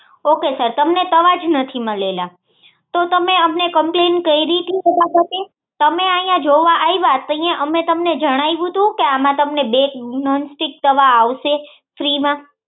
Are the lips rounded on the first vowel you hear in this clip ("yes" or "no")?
yes